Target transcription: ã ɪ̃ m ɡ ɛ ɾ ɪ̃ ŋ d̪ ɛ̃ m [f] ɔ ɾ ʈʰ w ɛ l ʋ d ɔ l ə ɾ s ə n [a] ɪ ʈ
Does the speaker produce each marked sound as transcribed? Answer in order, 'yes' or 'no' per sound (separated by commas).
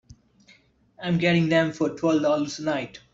yes, yes